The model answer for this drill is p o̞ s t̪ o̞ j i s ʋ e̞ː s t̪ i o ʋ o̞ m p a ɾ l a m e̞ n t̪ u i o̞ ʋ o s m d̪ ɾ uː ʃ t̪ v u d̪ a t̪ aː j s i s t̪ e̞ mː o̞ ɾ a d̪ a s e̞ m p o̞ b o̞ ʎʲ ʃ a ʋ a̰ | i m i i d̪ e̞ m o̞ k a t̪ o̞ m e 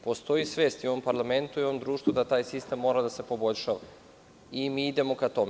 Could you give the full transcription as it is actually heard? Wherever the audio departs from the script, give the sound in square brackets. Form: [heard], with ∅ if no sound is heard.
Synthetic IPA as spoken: p o̞ s t̪ o̞ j i s ʋ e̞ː s t̪ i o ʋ o̞ m p a ɾ l a m e̞ n t̪ u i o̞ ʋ o [∅] m d̪ ɾ uː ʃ t̪ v u d̪ a t̪ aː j s i s t̪ e̞ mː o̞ ɾ a d̪ a s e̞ [∅] p o̞ b o̞ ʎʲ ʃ a ʋ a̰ | i m i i d̪ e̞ m o̞ k a t̪ o̞ m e

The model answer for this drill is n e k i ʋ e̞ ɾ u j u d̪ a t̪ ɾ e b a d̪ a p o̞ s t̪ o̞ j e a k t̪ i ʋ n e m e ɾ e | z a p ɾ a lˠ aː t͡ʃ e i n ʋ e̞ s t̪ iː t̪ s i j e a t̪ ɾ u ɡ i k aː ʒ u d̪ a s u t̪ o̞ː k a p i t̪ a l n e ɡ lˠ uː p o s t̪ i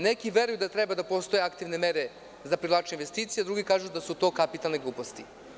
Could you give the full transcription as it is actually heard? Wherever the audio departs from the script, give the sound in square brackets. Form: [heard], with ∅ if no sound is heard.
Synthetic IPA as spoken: n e k i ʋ e̞ ɾ u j u d̪ a t̪ ɾ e b a d̪ a p o̞ s t̪ o̞ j e a k t̪ i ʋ n e m e ɾ e | z a p ɾ [i] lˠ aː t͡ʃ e i n ʋ e̞ s t̪ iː t̪ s i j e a [d̪] ɾ u ɡ i k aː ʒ u d̪ a s u t̪ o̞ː k a p i t̪ a l n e ɡ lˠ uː p o s t̪ i

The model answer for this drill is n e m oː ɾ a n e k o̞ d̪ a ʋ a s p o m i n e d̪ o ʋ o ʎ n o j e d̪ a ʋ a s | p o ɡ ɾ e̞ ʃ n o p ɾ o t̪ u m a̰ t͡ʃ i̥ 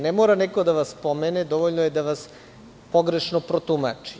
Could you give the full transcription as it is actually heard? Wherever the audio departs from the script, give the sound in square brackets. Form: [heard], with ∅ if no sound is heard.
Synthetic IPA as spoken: n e m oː ɾ a n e k o̞ d̪ a ʋ a s p o m [e] n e d̪ o ʋ o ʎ n o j e d̪ a ʋ a s | p o ɡ ɾ e̞ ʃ n o p ɾ o t̪ u m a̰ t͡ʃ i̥

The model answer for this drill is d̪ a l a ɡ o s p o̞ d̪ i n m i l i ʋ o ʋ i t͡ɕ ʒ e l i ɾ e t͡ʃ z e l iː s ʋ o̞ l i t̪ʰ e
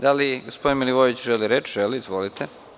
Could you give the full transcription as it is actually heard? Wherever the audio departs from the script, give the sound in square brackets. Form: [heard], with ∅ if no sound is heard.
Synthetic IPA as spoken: d̪ a l [i] ɡ o s p o̞ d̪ i n m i l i ʋ o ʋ i t͡ɕ ʒ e l i ɾ e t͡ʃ [ʒ] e l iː [z] ʋ o̞ l i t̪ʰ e

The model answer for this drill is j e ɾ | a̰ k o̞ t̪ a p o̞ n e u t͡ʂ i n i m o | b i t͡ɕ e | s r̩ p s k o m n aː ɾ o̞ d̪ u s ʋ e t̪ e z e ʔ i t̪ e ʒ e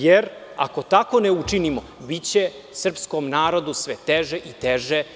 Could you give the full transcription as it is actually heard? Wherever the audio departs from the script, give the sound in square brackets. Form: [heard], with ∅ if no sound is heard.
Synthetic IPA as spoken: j e ɾ | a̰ k o̞ t̪ a [k] o̞ n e u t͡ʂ i n i m o | b i t͡ɕ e | s r̩ p s k o m n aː ɾ o̞ d̪ u s ʋ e t̪ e [ʒ] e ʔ i t̪ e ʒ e

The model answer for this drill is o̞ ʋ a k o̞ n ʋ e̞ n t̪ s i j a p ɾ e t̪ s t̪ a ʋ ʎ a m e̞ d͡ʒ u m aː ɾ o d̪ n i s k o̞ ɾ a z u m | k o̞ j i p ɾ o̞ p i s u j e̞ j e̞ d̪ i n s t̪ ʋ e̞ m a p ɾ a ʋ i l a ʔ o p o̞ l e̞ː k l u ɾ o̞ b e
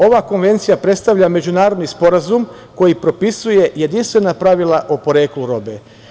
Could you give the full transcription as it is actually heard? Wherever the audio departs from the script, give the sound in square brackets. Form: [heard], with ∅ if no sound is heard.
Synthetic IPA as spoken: o̞ ʋ a k o̞ n ʋ e̞ n t̪ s i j a p ɾ e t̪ s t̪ a ʋ ʎ a m e̞ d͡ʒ u [n] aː ɾ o d̪ n i s [p] o̞ ɾ a z u m | k o̞ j i p ɾ o̞ p i s u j e̞ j e̞ d̪ i n s t̪ ʋ e̞ [n] a p ɾ a ʋ i l a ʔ o p o̞ [ɾ] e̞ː k l u ɾ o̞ b e

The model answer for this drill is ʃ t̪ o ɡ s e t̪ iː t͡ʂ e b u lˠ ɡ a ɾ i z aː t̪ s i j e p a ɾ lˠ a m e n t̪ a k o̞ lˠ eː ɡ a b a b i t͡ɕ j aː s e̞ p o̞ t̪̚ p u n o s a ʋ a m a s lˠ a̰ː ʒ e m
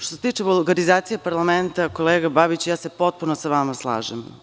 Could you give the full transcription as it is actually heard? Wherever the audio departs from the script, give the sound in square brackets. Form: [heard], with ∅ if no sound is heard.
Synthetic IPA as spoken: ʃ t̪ o [∅] s e t̪ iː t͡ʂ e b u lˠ ɡ a ɾ i z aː t̪ s i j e p a ɾ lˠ a m e n t̪ a k o̞ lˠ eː ɡ a b a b i t͡ɕ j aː s e̞ p o̞ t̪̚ p u n o s a ʋ a m a s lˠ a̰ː ʒ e m

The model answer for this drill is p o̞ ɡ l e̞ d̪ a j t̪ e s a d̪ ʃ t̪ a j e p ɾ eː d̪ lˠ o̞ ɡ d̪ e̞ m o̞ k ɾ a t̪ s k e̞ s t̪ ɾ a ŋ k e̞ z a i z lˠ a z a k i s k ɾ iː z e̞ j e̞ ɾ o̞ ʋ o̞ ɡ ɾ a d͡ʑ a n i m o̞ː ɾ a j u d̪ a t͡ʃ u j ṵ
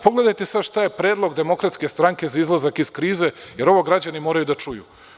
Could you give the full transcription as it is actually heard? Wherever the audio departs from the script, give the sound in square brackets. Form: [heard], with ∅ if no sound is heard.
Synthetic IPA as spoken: p o̞ ɡ l e̞ d̪ a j t̪ e s a d̪ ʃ t̪ a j e p ɾ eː d̪ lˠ o̞ ɡ d̪ e̞ m o̞ k ɾ a t̪ s k e̞ s t̪ ɾ a ŋ k e̞ z a i z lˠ a z a k i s k ɾ iː z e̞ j e̞ ɾ o̞ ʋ o̞ ɡ ɾ a d͡ʑ a n i m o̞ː ɾ a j u d̪ a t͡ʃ u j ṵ

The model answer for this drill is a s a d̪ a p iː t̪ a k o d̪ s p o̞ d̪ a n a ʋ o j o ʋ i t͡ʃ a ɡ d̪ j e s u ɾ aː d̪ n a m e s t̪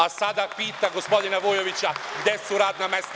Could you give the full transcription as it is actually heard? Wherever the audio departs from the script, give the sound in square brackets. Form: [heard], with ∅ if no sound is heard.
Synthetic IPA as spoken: a s a d̪ a p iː t̪ a [ɡ] o [∅] s p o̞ d̪ [i] n a ʋ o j o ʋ i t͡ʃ a ɡ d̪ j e s u ɾ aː d̪ n a m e s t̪

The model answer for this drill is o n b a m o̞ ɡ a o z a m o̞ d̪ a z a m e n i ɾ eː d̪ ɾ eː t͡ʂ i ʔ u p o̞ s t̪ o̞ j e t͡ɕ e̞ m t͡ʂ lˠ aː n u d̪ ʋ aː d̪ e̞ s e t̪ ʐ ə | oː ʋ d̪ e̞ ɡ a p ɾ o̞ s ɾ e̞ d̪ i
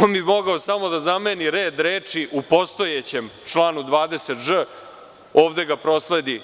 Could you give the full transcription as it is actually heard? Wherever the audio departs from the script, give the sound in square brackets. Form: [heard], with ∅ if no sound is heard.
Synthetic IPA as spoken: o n b [i] m o̞ ɡ a o [s] a m o̞ d̪ a z a m e n i ɾ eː d̪ ɾ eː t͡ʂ i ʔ u p o̞ s t̪ o̞ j e t͡ɕ e̞ m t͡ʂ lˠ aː n u d̪ ʋ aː d̪ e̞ s e t̪ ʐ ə | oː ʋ d̪ e̞ ɡ a p ɾ o̞ s [l] e̞ d̪ i

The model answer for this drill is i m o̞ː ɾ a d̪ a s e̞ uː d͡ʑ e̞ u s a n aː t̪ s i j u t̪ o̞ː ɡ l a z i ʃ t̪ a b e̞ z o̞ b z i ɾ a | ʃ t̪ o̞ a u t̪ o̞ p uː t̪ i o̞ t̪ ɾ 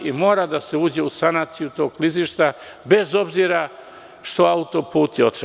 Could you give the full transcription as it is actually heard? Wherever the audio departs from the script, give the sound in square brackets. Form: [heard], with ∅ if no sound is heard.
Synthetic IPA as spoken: i m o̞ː ɾ a d̪ a s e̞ uː d͡ʑ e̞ u s a n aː t̪ s i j u t̪ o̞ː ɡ l [i] z i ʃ t̪ a b e̞ z o̞ b z i ɾ a | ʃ t̪ o̞ a u t̪ o̞ p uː t̪ i o̞ t̪ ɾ

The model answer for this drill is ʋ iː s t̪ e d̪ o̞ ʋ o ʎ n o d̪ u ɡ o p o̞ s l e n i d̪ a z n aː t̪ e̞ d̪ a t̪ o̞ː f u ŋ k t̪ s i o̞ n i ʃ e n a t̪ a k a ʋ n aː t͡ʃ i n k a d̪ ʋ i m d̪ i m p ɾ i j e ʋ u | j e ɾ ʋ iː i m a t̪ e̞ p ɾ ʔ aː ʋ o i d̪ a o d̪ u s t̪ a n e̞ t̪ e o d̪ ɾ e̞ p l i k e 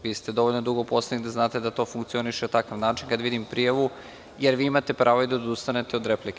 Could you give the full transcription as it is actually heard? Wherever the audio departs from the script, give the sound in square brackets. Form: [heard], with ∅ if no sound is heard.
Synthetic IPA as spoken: ʋ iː s t̪ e d̪ o̞ ʋ o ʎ n o d̪ u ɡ o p o̞ s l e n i d̪ a z n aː t̪ e̞ d̪ a t̪ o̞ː f u ŋ k t̪ s i o̞ n i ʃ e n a t̪ a k a ʋ n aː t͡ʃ i n k a d̪ ʋ i [∅] d̪ i m p ɾ i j [a] ʋ u | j e ɾ ʋ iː i m a t̪ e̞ p ɾ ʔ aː ʋ o i d̪ a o d̪ u s t̪ a n e̞ t̪ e o d̪ ɾ e̞ p l i k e

